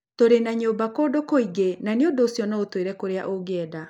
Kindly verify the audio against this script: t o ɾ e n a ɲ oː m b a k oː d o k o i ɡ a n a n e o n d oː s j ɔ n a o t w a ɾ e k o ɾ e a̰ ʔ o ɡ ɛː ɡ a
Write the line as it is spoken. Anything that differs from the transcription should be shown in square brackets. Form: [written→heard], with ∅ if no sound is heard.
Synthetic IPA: t o ɾ e n a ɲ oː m b a k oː d o k o i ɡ [a→e] n a n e o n d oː s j ɔ n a o t w [a→e] ɾ [e→ɛ] k o ɾ e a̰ ʔ o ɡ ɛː [ɡ→d] a